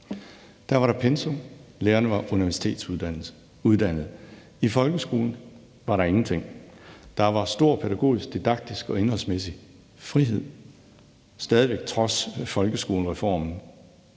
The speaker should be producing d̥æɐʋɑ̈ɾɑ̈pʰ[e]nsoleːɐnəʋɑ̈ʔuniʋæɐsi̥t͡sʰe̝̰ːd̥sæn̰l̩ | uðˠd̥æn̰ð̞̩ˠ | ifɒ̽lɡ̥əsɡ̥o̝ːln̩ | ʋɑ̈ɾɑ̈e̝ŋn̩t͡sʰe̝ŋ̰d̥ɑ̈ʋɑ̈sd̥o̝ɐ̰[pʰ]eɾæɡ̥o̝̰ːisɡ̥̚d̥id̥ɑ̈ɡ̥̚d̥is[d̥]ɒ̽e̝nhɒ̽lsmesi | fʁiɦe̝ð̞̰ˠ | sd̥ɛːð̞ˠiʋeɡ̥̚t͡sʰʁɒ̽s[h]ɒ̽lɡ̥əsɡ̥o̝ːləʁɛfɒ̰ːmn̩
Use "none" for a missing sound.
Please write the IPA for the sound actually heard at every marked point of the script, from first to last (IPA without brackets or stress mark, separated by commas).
e, pʰ, ɡ̥, f